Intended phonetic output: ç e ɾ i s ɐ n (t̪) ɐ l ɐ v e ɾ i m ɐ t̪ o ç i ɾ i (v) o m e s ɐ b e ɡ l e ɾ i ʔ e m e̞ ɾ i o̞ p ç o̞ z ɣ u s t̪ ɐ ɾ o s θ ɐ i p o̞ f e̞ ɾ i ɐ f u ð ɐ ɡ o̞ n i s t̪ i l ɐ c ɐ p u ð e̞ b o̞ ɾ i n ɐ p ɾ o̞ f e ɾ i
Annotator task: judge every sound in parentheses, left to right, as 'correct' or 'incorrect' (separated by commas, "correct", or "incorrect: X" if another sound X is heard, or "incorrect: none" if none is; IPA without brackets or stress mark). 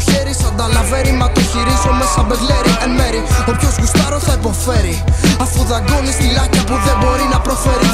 incorrect: d̪, incorrect: z